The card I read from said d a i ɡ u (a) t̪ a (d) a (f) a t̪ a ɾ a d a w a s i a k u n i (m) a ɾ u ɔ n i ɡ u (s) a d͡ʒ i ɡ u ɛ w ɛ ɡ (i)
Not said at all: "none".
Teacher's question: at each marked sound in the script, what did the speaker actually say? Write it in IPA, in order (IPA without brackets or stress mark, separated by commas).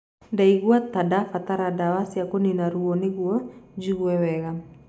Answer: a, d, f, n, none, a